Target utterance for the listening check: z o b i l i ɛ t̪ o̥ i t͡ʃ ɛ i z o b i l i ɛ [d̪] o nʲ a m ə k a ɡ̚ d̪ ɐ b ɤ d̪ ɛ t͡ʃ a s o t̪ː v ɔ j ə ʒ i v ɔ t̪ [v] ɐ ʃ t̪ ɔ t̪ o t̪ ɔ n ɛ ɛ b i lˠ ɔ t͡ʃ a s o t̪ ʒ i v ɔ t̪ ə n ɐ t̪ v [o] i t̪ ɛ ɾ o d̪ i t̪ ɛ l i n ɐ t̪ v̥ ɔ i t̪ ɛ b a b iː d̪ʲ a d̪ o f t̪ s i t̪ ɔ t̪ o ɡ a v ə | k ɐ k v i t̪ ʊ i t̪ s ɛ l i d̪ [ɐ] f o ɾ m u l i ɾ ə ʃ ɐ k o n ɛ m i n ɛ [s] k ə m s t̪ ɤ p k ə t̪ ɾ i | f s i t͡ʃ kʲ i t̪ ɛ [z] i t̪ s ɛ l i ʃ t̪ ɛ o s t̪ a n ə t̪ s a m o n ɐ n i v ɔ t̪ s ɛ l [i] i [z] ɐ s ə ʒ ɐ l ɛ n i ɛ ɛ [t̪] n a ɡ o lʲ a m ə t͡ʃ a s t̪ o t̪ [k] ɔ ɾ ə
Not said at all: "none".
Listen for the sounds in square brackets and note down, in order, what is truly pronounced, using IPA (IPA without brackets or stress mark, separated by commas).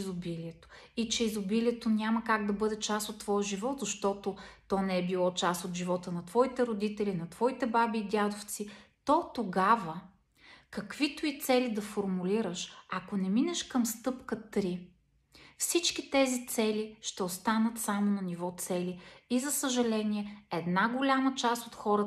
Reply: t̪, z, ɔ, ɐ, ʃ, z, i, z, d̪, x